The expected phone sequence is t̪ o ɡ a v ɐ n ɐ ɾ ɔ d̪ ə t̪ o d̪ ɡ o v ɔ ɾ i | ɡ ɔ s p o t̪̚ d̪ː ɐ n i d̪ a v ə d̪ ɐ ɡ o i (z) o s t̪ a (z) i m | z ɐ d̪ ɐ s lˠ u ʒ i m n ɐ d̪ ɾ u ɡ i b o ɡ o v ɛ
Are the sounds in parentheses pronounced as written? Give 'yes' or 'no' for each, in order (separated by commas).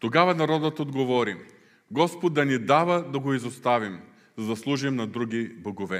yes, no